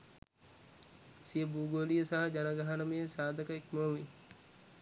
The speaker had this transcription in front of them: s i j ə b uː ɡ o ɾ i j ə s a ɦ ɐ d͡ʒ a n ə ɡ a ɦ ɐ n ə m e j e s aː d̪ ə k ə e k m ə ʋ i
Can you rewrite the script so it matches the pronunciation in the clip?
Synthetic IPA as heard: s i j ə b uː ɡ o l i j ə s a ɦ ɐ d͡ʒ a n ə ɡ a ɦ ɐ n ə m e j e s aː d̪ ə k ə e k m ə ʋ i